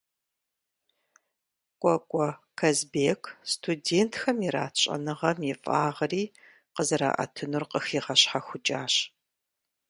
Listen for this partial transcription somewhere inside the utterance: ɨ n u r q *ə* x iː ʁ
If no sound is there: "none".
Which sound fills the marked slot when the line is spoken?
ə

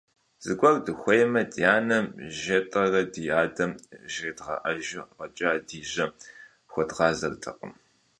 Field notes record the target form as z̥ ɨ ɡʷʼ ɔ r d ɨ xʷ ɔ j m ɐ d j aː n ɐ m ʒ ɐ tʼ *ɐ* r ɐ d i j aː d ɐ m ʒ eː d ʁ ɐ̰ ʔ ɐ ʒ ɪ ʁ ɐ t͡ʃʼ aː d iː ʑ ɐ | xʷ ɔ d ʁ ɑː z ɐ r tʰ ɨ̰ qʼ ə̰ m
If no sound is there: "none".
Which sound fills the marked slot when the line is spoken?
ɐ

